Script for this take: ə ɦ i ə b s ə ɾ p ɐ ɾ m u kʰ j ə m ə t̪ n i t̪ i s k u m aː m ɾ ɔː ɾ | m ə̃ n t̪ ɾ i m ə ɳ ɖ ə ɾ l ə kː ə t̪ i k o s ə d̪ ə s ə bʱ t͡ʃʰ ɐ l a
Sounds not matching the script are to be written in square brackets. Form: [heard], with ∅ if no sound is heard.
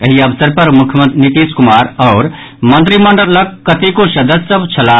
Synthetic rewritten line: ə ɦ i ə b s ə ɾ p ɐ ɾ m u kʰ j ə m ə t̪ n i t̪ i s k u m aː [∅] ɾ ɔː ɾ | m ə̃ n t̪ ɾ i m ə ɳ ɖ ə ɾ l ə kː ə t̪ i k o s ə d̪ ə s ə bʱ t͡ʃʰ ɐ l a